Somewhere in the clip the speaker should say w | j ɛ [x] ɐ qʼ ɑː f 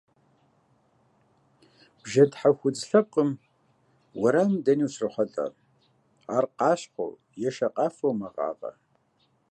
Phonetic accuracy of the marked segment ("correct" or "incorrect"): incorrect